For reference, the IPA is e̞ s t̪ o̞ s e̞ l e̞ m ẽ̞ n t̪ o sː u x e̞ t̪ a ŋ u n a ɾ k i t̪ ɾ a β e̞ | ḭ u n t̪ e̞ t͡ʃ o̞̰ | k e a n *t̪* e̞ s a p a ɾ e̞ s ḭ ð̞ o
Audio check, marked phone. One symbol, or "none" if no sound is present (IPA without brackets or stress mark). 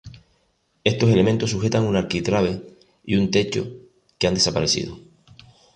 d̪